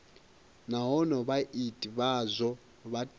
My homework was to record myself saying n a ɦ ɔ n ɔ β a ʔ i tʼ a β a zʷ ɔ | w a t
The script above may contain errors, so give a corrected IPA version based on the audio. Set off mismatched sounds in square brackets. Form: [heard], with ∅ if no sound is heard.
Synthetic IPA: n a ɦ ɔ n ɔ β a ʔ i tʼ [i] β a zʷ ɔ | [β] a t